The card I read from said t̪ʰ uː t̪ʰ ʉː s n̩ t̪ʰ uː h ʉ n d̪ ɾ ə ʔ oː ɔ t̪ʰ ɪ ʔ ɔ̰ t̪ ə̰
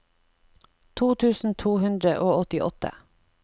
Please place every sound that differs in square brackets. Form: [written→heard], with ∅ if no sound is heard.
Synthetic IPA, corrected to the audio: t̪ʰ uː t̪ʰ ʉː s n̩ t̪ʰ uː h ʉ n d̪ ɾ ə ʔ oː ɔ [t̪ʰ→t̪] ɪ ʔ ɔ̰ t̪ ə̰